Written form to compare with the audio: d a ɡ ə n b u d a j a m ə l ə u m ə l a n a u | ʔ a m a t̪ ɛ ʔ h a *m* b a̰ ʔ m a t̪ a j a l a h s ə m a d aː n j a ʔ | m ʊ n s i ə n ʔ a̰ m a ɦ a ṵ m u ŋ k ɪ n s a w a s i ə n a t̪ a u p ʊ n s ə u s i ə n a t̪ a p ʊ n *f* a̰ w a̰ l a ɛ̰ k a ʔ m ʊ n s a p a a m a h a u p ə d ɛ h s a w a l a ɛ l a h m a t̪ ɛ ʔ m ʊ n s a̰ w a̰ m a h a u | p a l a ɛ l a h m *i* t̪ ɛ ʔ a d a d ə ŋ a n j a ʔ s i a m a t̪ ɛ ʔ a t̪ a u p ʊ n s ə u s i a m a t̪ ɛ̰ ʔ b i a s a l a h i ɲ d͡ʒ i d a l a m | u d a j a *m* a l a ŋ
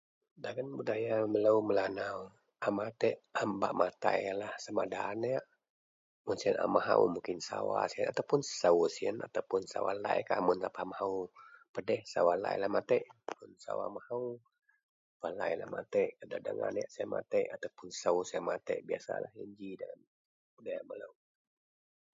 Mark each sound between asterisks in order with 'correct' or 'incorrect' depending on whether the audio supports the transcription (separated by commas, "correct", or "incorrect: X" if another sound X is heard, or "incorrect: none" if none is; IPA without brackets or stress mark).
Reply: correct, incorrect: s, incorrect: a, correct